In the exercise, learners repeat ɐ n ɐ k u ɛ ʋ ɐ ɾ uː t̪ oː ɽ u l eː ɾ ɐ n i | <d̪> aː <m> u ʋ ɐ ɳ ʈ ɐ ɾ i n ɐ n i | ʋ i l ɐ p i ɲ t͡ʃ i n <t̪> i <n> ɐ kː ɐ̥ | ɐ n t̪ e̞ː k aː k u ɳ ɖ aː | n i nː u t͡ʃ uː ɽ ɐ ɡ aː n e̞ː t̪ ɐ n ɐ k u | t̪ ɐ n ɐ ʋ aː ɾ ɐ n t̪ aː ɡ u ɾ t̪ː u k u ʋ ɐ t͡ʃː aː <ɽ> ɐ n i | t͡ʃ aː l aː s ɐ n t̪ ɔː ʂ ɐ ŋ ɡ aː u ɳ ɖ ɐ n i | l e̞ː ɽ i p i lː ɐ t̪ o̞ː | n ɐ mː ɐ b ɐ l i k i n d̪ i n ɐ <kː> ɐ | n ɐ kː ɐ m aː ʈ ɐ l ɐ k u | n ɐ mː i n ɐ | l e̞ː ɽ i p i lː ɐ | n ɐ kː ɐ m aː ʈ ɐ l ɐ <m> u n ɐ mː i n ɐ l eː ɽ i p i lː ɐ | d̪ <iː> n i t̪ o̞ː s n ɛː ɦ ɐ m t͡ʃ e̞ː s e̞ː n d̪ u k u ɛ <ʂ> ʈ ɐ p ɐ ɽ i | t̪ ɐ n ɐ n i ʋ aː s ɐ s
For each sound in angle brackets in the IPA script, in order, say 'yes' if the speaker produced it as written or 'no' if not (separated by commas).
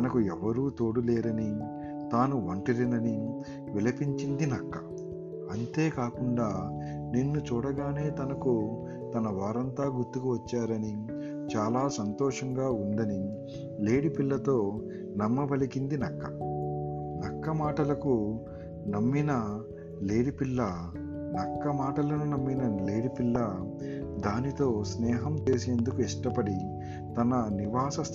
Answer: no, no, no, yes, no, yes, no, no, yes